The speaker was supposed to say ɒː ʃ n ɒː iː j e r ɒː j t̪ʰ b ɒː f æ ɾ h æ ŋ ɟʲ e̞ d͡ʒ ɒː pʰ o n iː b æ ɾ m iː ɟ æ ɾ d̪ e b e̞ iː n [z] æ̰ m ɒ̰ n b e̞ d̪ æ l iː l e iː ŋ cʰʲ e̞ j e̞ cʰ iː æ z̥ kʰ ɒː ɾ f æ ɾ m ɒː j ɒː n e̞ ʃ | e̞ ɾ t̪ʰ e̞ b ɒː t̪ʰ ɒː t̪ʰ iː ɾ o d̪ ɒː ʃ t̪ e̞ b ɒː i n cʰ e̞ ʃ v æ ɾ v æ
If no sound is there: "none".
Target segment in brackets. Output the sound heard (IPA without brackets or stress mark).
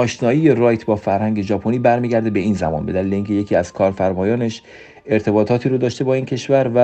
z